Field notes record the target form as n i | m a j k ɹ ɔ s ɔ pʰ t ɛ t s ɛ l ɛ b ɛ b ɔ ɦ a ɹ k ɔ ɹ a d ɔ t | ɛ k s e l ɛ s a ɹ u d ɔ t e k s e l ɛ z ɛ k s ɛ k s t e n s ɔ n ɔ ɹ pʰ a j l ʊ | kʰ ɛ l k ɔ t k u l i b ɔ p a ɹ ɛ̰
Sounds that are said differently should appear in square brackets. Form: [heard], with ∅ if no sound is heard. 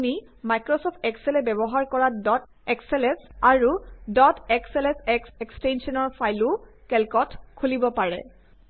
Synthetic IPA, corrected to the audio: n i | m a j k ɹ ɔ s ɔ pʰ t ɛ [k] s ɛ l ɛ b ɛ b ɔ ɦ a ɹ k ɔ ɹ a d ɔ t | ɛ k s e l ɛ s a ɹ u d ɔ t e k s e l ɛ [s] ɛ k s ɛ k s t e n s ɔ n ɔ ɹ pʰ a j l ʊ | [k] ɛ l k ɔ t [kʰ] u l i b ɔ p a ɹ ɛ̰